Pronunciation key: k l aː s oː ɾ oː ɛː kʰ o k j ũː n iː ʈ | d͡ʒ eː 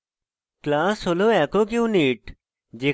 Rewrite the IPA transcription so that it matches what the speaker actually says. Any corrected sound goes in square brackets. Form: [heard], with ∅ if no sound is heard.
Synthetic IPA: k l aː s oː [l] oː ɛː [k] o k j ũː n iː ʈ | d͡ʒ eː